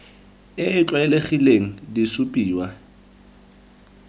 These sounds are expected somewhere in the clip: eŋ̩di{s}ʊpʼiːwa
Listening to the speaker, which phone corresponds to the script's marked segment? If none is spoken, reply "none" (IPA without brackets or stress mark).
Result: s